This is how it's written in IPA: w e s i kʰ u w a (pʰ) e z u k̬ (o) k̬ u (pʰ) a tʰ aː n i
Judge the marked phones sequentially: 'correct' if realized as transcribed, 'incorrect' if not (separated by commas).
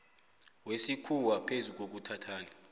correct, correct, incorrect